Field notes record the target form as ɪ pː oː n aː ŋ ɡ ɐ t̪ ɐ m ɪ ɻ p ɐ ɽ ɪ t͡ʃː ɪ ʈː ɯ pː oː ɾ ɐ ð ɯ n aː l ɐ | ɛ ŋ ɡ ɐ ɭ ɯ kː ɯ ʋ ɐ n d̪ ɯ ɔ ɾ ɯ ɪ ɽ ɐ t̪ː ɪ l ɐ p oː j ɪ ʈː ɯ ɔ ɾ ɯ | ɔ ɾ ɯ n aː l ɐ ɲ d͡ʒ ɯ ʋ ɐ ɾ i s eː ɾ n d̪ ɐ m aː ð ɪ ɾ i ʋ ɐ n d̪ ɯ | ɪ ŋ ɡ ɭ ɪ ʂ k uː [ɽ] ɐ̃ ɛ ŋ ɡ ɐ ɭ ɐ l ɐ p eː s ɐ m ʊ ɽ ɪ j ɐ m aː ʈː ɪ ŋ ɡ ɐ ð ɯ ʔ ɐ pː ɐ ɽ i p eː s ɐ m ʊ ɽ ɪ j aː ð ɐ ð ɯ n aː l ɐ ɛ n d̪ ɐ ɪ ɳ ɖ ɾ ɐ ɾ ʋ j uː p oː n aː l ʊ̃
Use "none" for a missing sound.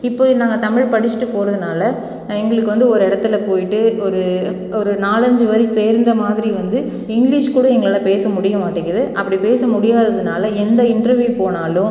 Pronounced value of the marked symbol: ɽ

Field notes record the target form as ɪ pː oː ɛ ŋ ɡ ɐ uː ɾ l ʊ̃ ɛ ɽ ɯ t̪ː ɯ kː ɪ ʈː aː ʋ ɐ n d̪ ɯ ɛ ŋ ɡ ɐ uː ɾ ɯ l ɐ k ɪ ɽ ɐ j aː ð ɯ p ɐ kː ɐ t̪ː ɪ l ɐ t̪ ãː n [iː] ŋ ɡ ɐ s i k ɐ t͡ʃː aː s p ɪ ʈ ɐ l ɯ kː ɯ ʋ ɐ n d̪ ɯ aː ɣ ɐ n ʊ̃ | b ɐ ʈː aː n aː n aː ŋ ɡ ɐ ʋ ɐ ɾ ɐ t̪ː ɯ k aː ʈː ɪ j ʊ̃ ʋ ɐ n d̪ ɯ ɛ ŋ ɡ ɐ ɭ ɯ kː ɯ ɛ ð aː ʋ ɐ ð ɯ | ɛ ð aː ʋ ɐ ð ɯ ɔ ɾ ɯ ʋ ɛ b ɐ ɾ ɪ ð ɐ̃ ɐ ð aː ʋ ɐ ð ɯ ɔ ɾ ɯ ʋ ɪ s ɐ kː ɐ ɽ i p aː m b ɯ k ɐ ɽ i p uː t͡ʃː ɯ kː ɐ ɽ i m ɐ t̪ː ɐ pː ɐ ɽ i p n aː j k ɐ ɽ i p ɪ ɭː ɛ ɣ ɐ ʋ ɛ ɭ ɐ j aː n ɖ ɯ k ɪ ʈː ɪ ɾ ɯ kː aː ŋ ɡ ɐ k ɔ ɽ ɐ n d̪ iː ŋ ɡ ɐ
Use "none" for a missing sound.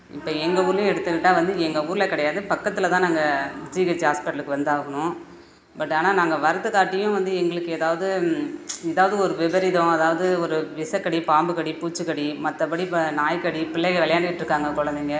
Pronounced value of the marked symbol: aː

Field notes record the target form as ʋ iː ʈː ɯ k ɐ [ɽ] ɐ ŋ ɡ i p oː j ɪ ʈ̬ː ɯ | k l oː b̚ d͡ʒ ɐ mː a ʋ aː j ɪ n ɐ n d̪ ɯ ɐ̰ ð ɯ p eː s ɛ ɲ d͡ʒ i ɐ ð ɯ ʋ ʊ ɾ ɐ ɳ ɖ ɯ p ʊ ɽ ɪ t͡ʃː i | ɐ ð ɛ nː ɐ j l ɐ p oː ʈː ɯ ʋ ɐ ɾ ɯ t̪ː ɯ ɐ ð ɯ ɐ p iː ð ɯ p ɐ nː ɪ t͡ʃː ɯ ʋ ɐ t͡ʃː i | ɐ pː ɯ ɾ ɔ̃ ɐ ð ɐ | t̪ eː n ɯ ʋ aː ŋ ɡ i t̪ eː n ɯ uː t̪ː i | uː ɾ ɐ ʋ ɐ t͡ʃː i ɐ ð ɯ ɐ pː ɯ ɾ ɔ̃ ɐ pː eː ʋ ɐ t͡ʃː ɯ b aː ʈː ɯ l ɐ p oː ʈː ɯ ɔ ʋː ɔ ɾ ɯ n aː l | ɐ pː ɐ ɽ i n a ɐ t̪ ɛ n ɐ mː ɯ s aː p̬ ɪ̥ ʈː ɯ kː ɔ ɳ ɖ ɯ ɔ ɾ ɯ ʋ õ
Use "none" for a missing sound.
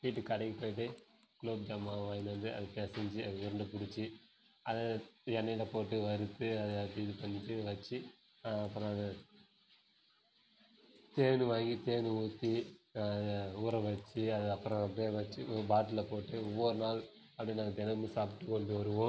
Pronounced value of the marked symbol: ɽ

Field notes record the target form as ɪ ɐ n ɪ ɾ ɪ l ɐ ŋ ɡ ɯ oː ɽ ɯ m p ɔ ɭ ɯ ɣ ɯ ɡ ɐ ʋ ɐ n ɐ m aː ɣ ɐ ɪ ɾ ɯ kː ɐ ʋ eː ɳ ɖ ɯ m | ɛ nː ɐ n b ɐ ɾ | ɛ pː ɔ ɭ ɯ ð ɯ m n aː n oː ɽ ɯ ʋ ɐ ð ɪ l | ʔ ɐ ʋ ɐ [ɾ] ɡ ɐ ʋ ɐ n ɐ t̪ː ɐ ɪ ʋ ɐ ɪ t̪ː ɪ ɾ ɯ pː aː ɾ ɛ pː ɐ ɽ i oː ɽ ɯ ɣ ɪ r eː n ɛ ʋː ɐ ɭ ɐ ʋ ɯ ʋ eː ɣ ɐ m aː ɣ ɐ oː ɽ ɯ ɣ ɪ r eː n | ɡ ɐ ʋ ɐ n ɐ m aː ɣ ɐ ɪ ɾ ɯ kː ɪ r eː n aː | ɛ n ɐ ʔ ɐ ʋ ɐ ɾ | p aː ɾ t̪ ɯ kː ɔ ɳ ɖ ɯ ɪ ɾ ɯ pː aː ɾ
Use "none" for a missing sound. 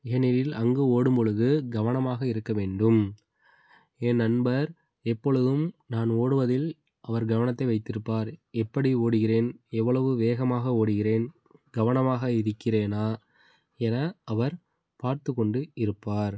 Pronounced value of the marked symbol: ɾ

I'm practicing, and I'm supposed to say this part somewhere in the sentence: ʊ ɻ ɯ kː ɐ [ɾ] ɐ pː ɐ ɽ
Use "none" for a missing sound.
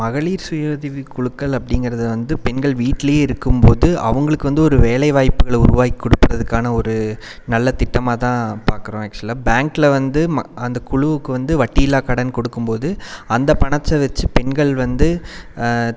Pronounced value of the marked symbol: ɭ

